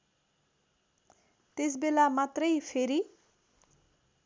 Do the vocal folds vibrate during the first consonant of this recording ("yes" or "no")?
no